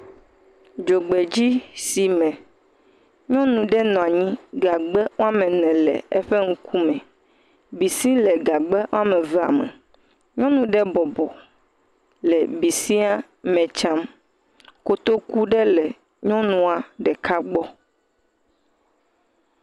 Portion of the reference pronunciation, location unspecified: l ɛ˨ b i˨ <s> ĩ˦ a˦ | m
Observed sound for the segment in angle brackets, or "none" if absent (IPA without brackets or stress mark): s